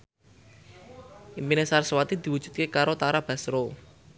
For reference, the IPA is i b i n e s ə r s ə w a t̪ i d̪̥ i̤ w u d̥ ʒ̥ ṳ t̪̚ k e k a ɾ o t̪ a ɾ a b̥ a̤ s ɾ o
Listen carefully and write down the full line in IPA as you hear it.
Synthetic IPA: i m i n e s a r s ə w a t̪ i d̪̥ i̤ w u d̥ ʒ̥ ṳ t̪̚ k e k a ɾ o t̪ a ɾ a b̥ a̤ s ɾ o